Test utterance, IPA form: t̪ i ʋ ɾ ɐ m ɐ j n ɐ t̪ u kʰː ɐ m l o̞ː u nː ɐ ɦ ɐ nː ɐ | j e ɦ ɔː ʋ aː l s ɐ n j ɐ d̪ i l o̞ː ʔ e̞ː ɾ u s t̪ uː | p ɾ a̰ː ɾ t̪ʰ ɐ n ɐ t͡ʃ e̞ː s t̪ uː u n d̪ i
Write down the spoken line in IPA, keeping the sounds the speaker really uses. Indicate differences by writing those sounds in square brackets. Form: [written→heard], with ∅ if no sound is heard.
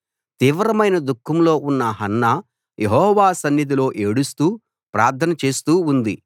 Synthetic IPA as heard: t̪ [i→iː] ʋ ɾ ɐ m ɐ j n ɐ [t̪→d̪] u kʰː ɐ m l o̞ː u nː ɐ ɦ ɐ nː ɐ | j e ɦ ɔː ʋ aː [l→∅] s ɐ n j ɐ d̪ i l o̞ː ʔ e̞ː [ɾ→ɽ] u s t̪ uː | p ɾ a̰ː ɾ t̪ʰ ɐ n ɐ t͡ʃ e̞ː s t̪ uː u n d̪ i